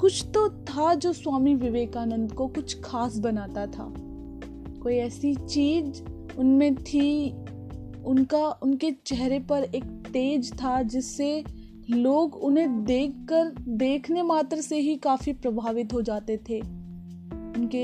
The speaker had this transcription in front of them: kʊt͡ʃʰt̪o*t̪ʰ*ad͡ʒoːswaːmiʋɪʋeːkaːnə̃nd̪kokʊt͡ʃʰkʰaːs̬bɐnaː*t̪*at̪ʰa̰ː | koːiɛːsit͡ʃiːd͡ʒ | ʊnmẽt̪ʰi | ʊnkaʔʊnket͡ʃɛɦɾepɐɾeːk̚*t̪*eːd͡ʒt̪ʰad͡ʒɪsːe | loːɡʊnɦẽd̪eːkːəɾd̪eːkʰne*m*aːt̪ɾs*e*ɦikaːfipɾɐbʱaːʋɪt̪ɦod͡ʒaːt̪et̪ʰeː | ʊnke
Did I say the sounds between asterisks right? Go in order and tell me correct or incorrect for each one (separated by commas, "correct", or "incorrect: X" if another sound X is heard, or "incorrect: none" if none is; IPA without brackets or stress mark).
correct, correct, correct, correct, correct